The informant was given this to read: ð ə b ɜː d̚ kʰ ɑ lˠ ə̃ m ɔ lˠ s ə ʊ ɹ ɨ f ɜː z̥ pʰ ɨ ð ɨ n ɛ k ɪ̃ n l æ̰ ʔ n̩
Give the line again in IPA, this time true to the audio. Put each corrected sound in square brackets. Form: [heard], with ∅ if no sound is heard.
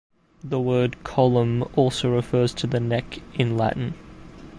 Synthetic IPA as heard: ð ə [w] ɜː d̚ kʰ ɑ lˠ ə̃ m ɔ lˠ s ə ʊ ɹ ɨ f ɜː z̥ [tʰ] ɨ ð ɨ n ɛ k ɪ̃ n l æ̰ ʔ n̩